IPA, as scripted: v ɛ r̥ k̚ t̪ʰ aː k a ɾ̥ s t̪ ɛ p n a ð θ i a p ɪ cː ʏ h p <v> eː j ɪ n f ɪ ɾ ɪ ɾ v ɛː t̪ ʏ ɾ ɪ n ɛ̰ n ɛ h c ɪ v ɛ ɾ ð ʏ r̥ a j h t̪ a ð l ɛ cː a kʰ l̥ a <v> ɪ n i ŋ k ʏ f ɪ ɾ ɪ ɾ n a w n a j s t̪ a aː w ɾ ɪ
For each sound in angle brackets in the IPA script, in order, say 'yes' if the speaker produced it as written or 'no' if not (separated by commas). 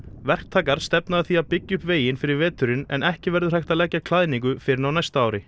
yes, no